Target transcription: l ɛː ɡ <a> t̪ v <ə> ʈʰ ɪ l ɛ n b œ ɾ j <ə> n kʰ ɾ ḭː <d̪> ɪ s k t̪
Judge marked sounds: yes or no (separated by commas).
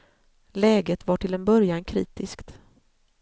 no, no, no, no